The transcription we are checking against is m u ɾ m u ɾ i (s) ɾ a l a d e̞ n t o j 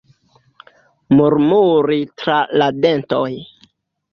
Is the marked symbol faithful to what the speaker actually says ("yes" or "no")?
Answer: no